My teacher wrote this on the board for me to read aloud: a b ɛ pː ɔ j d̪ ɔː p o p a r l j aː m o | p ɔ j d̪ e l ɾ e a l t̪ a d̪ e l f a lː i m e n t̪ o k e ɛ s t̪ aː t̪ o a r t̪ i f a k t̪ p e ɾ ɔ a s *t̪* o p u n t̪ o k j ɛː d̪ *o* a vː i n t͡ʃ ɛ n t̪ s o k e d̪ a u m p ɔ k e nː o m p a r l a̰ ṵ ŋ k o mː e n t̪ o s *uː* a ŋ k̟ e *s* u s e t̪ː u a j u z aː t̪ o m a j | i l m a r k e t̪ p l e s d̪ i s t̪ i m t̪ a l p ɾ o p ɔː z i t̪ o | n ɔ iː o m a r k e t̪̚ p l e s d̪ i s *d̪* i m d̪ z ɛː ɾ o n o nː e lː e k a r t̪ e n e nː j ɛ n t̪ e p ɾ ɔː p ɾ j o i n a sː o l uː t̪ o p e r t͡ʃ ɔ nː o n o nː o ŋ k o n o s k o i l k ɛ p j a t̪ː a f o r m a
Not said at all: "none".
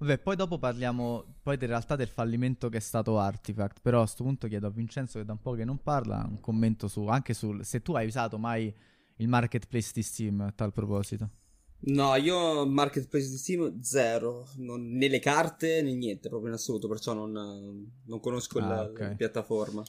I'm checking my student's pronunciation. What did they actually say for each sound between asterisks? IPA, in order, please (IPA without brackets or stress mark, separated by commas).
t̪, o, u, s, t̪